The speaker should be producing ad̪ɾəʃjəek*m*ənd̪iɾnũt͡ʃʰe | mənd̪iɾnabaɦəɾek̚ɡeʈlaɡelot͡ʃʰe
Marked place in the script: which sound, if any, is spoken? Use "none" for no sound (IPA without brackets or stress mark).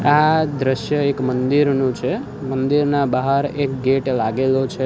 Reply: m